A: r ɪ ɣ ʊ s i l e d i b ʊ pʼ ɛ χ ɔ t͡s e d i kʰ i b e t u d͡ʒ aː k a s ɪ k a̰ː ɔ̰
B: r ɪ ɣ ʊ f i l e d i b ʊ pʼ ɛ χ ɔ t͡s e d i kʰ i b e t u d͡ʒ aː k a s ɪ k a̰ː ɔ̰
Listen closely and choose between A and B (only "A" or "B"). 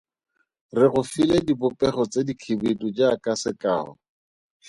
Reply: B